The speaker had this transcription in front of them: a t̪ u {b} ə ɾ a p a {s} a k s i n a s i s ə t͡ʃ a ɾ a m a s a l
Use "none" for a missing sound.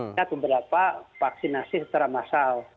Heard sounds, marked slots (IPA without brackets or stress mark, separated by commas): b, f